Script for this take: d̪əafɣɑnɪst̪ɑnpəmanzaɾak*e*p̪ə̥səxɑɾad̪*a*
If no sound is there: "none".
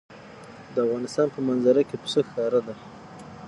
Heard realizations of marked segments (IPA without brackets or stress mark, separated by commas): e, a